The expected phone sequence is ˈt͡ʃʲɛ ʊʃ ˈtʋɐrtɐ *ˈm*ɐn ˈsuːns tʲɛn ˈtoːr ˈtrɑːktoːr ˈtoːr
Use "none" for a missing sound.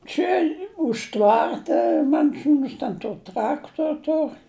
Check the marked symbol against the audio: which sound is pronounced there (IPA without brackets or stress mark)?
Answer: m